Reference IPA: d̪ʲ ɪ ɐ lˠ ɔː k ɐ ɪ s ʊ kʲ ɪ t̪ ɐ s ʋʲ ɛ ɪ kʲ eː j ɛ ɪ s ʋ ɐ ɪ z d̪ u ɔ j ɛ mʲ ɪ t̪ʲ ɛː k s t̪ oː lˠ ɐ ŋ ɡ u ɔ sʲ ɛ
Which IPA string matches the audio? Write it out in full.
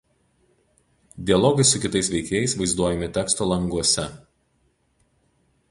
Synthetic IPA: d̪ʲ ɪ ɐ lˠ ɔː ɡ ɐ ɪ s ʊ kʲ ɪ t̪ ɐ s ʋʲ ɛ ɪ kʲ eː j ɛ ɪ s ʋ ɐ ɪ z d̪ u ɔ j ɛ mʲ ɪ t̪ʲ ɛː k s t̪ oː lˠ ɐ ŋ ɡ u ɔ sʲ ɛ